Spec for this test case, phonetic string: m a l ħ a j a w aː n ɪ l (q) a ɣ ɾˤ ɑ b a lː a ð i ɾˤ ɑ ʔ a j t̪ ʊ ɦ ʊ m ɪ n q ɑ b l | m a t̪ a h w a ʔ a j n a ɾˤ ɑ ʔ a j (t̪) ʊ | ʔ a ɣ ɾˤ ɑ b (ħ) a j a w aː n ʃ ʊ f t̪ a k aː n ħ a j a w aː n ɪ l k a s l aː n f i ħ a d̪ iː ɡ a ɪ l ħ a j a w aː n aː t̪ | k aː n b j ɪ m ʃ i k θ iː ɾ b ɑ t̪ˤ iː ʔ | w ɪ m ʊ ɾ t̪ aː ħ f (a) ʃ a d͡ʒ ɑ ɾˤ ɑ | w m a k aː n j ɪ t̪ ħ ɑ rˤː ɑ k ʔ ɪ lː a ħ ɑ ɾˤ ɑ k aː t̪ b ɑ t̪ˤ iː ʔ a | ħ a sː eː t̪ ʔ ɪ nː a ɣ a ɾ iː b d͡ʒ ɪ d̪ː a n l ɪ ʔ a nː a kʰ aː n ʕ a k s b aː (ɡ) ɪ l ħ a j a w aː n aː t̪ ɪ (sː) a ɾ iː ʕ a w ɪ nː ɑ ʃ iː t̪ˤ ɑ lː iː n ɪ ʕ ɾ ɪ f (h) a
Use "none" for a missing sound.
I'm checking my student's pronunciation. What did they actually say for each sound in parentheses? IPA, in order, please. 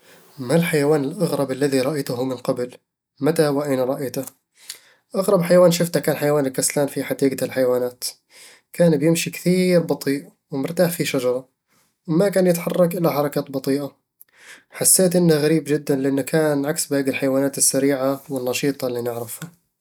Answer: ʔ, t̪, ħ, i, ɡ, sː, h

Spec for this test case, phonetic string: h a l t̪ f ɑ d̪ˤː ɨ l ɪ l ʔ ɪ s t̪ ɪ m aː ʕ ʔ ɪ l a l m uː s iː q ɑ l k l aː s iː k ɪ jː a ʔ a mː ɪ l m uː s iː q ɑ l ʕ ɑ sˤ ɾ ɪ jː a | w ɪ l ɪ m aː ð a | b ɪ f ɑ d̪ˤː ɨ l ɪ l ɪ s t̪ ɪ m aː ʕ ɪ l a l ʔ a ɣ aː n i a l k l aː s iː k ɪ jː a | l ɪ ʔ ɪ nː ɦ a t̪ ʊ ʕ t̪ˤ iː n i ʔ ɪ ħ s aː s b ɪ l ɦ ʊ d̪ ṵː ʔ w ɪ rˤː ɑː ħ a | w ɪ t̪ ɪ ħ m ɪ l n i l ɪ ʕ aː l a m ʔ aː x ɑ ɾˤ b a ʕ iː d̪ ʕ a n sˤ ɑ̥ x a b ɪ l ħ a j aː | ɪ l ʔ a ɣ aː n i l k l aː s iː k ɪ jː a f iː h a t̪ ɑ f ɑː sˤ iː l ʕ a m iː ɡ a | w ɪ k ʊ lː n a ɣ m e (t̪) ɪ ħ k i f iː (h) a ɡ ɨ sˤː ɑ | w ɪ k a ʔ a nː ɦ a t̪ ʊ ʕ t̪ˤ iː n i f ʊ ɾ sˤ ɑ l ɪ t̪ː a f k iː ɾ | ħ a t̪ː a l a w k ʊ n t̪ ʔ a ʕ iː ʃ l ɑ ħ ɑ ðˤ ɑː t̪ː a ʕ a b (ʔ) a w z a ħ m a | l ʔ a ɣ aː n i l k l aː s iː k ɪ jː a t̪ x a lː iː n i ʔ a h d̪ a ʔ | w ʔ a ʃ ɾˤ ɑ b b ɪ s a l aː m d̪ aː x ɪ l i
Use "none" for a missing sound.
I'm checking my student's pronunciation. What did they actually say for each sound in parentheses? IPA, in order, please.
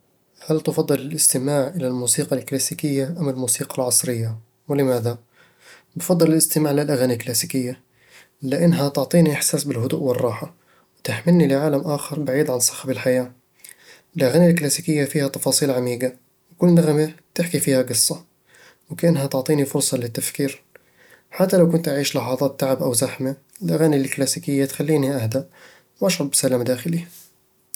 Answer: t̪, h, ʔ

